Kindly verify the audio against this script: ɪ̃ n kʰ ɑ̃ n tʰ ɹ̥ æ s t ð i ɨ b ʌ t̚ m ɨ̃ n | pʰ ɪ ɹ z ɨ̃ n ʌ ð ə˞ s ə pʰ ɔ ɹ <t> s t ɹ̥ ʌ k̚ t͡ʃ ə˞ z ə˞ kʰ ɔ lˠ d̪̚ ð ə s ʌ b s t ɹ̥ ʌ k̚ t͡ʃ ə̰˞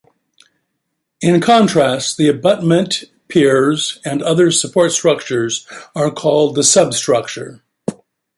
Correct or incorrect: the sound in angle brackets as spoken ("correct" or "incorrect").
correct